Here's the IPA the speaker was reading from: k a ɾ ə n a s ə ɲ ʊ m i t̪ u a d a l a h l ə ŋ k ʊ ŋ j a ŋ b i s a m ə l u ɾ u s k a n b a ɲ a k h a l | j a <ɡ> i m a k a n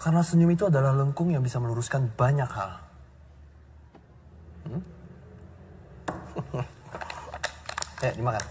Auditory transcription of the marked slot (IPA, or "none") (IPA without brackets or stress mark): d